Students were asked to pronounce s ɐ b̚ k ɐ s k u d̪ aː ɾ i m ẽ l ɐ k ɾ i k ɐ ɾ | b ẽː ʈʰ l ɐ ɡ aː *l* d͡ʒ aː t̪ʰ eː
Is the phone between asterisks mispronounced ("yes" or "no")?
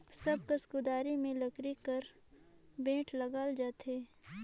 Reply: no